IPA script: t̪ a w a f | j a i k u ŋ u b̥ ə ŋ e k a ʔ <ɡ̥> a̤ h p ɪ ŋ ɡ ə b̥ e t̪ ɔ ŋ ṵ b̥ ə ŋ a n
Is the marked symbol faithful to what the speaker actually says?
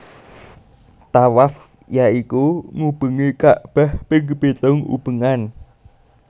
no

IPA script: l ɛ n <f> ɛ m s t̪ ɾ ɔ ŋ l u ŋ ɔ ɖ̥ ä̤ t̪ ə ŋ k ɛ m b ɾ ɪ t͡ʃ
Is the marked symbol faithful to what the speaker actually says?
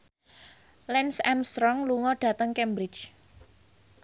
no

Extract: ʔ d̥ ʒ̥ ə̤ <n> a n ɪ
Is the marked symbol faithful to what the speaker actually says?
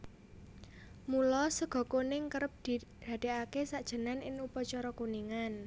yes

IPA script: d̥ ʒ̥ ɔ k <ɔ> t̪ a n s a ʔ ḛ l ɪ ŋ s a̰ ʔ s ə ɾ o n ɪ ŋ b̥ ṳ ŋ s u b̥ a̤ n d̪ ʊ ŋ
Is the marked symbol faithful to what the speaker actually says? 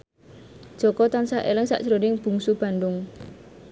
yes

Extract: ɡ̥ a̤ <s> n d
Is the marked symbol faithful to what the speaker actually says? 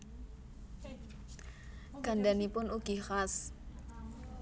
no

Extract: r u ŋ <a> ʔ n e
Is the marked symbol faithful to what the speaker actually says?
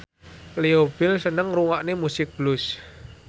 yes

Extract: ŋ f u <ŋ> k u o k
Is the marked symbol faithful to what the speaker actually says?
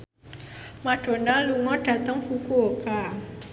no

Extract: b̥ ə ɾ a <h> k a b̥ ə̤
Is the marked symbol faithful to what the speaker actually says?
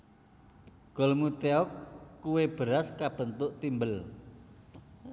no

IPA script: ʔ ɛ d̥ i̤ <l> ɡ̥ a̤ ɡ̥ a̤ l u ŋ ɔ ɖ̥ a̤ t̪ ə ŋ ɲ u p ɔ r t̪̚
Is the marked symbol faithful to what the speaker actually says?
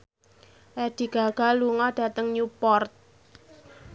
no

